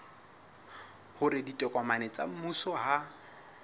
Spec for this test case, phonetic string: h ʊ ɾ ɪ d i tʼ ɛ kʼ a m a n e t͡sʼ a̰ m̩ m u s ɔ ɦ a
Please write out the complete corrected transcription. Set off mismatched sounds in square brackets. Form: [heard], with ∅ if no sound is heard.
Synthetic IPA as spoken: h ʊ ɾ ɪ d i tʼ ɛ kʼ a m a n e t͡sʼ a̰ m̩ m u s ɔ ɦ a

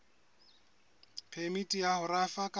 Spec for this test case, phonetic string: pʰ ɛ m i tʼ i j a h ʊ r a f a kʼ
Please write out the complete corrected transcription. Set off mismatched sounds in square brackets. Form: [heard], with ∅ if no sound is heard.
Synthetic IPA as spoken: pʰ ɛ m i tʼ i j a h ʊ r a f a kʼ

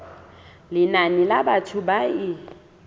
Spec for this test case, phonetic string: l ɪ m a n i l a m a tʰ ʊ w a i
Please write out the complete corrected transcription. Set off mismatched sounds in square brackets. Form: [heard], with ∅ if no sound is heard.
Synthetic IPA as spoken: l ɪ [n] a n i l a [b] a tʰ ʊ [b] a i

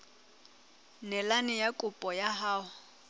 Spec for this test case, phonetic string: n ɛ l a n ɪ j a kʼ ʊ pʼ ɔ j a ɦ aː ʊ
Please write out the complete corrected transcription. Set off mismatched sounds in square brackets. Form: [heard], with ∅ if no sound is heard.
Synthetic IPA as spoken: n ɛ l a n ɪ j a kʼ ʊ pʼ ɔ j a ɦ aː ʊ

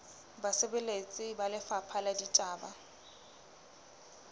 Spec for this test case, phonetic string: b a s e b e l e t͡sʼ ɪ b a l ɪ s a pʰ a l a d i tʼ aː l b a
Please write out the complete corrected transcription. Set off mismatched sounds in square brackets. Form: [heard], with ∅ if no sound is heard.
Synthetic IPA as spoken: b a s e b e l e t͡sʼ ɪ b a l ɪ [f] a pʰ a l a d i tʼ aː [∅] b a

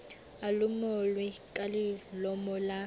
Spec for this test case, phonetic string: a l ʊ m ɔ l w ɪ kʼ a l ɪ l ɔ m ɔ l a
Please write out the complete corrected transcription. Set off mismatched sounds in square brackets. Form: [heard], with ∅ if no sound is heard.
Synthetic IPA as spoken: a l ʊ m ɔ l w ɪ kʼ a l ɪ l ɔ m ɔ l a

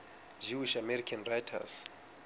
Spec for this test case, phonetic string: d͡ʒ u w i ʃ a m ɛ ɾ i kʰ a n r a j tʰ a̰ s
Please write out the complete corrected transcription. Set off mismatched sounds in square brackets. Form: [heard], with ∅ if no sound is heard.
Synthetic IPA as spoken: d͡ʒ u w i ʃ a m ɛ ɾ i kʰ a n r a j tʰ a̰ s

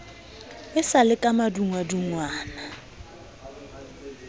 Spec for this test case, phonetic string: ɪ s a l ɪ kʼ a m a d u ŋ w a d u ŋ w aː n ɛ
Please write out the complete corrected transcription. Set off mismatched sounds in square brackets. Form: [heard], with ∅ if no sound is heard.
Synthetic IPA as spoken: ɪ s a l ɪ kʼ a m a d u ŋ w a d u ŋ w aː n [a]

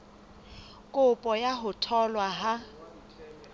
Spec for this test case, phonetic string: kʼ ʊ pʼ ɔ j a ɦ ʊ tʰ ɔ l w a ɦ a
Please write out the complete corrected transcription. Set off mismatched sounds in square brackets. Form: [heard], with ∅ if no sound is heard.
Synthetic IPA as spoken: kʼ ʊ pʼ ɔ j a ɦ ʊ tʰ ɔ l w a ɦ a

